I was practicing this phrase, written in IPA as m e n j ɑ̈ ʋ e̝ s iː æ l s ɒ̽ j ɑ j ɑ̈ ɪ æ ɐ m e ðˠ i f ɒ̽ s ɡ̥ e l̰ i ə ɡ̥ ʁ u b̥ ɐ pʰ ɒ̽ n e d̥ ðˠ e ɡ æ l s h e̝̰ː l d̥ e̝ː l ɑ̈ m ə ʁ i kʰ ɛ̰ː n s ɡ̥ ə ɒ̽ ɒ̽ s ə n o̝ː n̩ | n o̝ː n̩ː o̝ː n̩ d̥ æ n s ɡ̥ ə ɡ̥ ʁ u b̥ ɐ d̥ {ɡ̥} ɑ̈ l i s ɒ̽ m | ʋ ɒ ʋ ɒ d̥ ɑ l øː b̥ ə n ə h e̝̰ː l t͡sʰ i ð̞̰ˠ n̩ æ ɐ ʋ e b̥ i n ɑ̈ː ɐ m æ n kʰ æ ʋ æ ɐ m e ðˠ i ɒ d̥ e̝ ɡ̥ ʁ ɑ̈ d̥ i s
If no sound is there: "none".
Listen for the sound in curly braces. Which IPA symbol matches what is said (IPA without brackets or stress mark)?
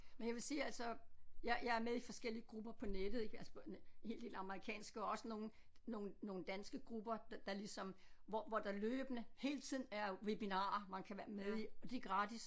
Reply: d̥